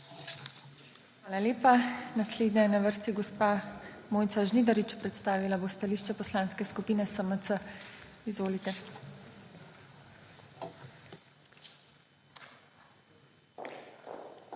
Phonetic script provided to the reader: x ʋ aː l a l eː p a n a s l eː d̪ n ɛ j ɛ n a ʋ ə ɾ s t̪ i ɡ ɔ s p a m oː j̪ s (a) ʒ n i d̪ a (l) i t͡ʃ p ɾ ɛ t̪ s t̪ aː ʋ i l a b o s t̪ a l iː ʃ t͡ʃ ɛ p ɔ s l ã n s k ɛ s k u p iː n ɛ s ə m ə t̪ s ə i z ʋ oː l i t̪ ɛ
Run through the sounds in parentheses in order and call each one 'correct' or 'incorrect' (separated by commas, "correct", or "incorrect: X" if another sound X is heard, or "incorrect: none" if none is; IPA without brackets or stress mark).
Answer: correct, incorrect: ɾ